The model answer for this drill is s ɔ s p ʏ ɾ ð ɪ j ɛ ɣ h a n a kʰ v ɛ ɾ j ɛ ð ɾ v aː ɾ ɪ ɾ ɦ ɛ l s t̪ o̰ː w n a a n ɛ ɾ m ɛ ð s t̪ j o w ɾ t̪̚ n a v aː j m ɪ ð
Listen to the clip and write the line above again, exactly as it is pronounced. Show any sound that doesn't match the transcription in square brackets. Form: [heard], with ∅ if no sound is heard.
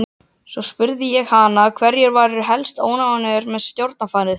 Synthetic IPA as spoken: s ɔ s p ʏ ɾ ð ɪ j ɛ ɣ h a n a kʰ v ɛ ɾ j ɛ [∅] ɾ v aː ɾ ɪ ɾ ɦ ɛ l s t̪ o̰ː w n a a n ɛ ɾ m ɛ ð s t̪ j o w ɾ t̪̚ n a [f] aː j [n] ɪ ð